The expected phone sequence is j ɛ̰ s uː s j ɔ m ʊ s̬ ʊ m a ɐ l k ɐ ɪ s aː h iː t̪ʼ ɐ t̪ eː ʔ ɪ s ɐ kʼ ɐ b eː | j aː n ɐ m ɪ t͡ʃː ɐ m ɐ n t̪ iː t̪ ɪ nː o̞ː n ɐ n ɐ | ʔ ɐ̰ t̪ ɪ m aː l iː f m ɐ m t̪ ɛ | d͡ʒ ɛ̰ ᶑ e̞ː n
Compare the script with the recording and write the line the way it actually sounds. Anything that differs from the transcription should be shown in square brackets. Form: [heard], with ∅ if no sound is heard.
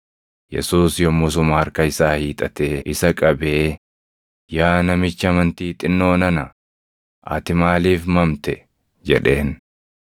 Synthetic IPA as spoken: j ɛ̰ s uː s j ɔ m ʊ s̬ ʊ m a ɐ [ɾ] k ɐ ɪ s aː h iː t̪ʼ ɐ t̪ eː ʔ ɪ s ɐ kʼ ɐ b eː | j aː n ɐ m ɪ t͡ʃː ɐ m ɐ n t̪ iː [t̪ʼ] ɪ nː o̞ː n ɐ n ɐ | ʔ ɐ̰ t̪ ɪ m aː l iː f m ɐ m t̪ ɛ | d͡ʒ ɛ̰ ᶑ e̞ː n